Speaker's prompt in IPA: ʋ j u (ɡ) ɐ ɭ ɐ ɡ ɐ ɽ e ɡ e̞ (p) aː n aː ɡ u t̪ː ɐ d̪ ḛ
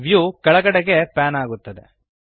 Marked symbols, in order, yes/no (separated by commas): no, yes